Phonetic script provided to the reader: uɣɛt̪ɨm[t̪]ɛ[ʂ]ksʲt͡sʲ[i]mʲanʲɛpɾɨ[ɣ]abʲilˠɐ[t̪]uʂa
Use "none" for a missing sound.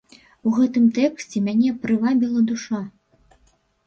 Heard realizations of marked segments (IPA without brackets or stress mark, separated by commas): t̪, none, ɛ, v, d̪